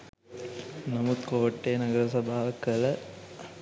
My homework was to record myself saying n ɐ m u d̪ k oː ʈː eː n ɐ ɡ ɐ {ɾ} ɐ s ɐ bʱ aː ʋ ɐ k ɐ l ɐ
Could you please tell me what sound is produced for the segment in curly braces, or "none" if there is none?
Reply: ɾ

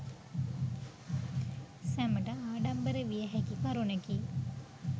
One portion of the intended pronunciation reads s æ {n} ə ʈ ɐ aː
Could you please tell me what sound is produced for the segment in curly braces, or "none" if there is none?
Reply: m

